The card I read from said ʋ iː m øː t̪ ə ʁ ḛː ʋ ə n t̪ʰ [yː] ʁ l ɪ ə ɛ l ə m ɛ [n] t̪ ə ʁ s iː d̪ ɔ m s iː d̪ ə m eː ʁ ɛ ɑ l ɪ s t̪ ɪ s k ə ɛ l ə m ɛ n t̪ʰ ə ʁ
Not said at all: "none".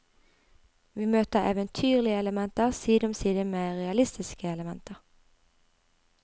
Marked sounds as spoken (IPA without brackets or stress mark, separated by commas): yː, n